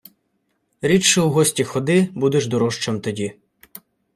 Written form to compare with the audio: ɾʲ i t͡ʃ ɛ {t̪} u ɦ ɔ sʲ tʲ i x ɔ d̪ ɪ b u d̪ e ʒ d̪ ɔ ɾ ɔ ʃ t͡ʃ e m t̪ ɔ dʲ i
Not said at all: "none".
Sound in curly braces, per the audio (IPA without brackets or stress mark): none